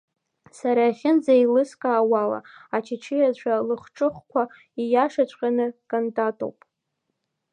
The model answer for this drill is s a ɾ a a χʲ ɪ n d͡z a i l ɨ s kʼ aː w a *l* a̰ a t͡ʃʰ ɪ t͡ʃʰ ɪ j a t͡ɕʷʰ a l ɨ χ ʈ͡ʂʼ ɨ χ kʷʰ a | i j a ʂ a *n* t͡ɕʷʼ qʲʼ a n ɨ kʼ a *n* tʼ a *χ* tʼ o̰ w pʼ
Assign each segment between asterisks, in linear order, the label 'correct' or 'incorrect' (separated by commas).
correct, incorrect, correct, incorrect